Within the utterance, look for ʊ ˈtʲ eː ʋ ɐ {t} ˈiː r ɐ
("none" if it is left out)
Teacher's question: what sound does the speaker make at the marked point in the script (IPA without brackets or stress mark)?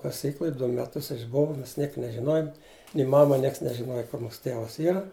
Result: s